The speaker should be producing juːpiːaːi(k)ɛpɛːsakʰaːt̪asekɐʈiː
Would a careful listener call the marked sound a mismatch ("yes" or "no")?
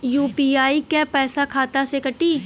no